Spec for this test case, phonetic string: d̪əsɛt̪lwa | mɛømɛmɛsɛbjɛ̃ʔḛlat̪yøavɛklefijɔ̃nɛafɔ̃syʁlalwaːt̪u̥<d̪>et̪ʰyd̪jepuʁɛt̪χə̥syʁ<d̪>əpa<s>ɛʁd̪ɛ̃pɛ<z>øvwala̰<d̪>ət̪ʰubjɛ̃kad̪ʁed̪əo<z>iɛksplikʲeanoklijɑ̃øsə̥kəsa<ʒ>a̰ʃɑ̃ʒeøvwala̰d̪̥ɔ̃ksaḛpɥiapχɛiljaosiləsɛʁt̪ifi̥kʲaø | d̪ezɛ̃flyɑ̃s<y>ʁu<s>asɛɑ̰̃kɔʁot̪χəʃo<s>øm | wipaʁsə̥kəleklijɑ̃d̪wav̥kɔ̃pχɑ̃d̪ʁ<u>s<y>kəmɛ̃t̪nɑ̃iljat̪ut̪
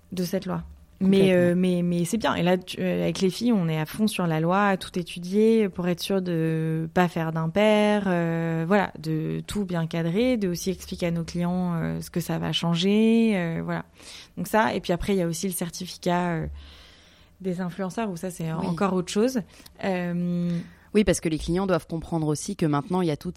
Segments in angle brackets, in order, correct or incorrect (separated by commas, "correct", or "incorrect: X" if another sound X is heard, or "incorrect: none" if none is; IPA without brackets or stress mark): incorrect: t̪, correct, incorrect: f, incorrect: ʁ, correct, incorrect: s, incorrect: v, incorrect: œ, correct, incorrect: z, incorrect: o, incorrect: i